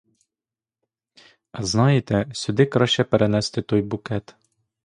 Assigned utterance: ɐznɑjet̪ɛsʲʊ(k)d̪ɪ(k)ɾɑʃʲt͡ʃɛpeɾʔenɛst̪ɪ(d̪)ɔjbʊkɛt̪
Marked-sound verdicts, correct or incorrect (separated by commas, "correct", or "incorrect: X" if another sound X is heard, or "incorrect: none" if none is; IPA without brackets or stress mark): incorrect: none, correct, incorrect: t̪